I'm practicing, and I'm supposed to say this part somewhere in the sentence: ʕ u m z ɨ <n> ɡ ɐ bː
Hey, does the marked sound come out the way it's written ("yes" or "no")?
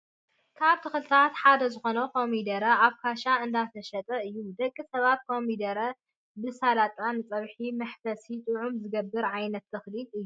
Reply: no